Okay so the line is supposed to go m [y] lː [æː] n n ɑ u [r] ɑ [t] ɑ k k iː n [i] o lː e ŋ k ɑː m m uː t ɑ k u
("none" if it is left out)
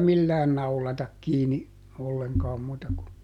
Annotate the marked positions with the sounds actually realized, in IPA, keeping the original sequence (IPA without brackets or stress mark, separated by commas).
i, æː, l, t, i